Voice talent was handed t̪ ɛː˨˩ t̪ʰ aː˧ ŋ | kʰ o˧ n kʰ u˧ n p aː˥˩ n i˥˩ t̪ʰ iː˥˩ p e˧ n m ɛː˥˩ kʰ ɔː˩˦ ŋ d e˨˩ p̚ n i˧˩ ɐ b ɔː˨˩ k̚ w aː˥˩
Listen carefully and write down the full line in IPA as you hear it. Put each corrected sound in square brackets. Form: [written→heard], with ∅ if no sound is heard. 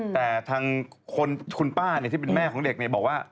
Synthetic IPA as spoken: t̪ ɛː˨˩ t̪ʰ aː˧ ŋ | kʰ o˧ n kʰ u˧ n p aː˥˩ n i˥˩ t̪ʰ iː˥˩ p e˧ n m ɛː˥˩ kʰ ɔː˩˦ ŋ d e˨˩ [p̚→k̚] n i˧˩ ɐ b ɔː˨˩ k̚ w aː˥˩